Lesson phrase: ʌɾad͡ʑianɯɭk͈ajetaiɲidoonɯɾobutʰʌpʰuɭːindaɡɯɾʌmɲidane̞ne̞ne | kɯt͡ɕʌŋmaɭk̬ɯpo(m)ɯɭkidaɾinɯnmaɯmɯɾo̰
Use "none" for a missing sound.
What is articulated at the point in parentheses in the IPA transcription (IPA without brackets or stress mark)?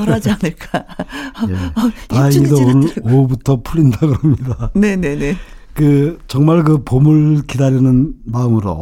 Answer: m